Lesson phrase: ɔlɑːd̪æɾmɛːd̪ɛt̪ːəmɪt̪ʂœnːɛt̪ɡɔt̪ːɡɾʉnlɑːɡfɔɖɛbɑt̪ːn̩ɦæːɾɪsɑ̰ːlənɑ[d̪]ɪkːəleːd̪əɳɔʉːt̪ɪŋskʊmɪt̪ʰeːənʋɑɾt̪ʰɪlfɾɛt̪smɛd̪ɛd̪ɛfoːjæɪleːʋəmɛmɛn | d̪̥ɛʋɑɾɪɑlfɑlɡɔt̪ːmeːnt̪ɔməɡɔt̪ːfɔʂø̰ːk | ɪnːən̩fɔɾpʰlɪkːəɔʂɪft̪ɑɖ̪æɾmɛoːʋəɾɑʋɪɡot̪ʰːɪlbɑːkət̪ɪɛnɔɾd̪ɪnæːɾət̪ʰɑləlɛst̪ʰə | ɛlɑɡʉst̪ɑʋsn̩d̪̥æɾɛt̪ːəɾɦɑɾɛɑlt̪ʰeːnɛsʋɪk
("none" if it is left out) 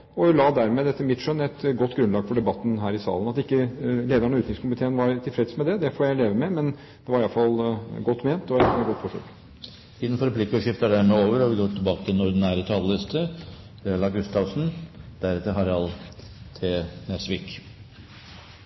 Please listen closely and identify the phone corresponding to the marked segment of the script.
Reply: t̪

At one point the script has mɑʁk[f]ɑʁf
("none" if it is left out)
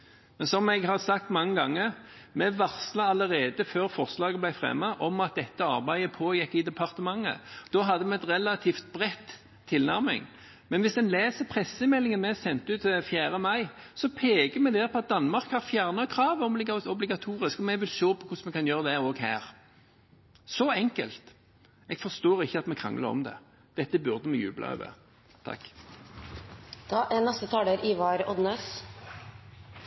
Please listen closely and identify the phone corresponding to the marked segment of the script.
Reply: h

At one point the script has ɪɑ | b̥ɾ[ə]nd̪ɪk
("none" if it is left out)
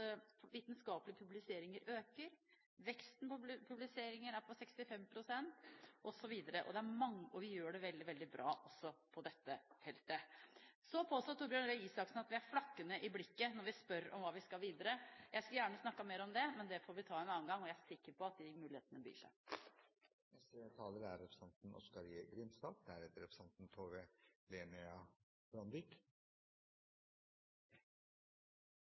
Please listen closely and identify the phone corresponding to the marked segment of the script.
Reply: ɑ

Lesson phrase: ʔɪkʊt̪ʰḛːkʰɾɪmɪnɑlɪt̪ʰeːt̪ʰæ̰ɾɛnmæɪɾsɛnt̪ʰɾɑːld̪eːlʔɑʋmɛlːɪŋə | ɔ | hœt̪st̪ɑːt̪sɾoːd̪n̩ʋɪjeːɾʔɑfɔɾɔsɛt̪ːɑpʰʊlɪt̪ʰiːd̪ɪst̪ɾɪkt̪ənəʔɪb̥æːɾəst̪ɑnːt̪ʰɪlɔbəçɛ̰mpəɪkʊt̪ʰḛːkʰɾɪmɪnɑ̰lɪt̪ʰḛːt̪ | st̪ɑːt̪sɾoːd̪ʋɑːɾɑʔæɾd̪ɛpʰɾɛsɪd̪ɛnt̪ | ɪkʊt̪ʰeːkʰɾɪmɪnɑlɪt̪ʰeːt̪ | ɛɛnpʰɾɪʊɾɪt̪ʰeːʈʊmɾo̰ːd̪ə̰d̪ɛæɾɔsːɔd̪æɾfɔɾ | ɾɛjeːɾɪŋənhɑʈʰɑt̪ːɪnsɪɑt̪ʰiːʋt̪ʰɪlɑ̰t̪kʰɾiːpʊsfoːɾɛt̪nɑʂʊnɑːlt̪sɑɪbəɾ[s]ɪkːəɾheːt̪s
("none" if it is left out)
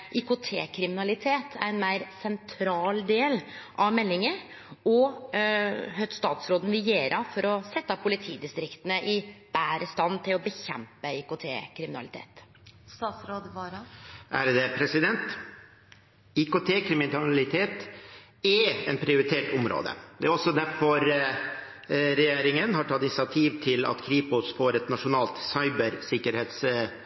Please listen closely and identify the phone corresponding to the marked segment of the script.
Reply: s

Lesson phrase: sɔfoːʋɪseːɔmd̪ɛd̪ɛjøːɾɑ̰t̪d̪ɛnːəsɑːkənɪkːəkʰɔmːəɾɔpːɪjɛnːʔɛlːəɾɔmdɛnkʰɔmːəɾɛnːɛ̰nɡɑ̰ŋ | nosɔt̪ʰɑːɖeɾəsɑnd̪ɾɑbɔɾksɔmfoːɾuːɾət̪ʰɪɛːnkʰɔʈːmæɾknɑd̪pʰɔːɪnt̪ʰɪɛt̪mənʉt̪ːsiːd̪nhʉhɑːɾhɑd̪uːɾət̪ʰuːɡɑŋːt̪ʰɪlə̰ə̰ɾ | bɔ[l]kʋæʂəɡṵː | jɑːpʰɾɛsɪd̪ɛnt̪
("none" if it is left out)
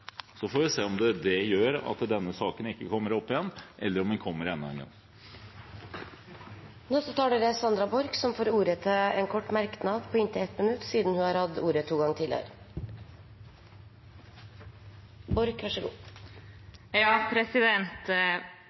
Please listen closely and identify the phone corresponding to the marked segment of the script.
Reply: ɾ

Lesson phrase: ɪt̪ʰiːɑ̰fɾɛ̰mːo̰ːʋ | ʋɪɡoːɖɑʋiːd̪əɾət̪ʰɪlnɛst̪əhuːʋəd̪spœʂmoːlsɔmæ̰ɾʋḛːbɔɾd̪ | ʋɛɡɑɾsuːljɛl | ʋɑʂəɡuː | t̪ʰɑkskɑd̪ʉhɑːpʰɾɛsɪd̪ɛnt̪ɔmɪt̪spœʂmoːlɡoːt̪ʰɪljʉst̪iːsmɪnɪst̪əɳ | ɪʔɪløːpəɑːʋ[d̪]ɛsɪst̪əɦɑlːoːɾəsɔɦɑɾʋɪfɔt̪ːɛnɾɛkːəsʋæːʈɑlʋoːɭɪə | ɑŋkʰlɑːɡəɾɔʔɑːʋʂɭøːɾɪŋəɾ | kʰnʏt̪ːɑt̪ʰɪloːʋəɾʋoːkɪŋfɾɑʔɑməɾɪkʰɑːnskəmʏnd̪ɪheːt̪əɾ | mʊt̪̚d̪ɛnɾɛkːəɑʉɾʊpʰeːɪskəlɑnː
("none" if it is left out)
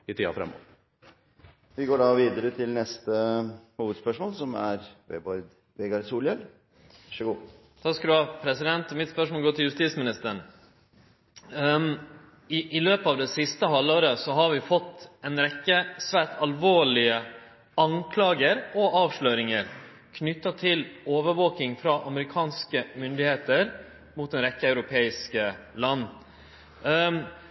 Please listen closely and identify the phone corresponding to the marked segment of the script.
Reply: d̪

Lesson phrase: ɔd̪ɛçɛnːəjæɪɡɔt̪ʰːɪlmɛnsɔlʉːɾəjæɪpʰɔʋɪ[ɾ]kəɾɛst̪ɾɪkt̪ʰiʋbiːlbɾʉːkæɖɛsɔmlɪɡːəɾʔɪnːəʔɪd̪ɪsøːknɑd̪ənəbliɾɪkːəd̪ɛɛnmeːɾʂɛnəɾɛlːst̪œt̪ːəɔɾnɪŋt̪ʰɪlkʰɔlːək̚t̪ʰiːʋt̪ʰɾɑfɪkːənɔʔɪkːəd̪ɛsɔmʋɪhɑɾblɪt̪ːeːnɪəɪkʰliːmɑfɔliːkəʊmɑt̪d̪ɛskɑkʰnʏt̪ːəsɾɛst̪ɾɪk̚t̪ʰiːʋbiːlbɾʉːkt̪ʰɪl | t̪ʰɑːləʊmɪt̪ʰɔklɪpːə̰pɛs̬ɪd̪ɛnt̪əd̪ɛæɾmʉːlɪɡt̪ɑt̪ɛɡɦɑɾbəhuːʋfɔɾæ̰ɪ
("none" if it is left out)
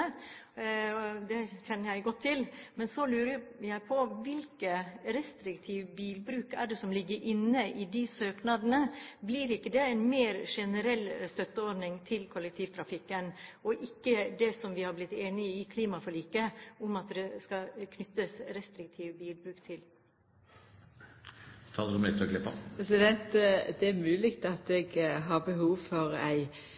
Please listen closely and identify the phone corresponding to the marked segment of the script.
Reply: l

